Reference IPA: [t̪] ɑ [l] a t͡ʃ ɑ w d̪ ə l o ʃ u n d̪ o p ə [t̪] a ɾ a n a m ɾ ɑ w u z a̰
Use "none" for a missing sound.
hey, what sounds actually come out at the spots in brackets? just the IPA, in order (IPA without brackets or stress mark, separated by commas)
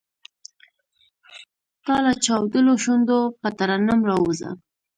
t̪, l, t̪